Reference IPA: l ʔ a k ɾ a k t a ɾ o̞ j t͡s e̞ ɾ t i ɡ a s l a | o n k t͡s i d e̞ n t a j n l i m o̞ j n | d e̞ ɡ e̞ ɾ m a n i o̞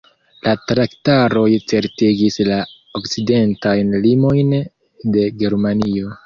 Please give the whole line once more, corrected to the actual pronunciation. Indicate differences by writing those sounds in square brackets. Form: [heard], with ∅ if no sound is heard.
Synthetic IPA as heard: l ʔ a [t] ɾ a k t a ɾ o̞ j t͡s e̞ ɾ t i ɡ [i] s l a | o [∅] k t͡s i d e̞ n t a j n l i m o̞ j n | d e̞ ɡ e̞ ɾ m a n i o̞